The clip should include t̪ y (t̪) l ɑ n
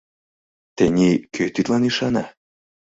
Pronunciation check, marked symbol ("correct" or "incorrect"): correct